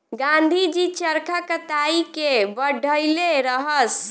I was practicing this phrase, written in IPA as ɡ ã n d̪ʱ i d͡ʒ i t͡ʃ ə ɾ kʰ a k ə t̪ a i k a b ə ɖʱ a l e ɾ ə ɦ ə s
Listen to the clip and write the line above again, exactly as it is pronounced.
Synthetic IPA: ɡ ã n d̪ʱ i d͡ʒ i t͡ʃ ə ɾ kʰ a k ə t̪ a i k e b ə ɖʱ ə l e ɾ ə ɦ ə s